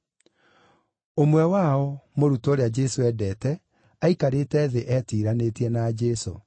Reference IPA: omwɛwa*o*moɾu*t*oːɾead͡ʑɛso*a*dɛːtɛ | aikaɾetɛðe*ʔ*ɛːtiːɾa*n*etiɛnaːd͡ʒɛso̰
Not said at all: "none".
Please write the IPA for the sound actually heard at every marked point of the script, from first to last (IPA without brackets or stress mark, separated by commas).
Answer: ɔ, t, ɛ, ʔ, n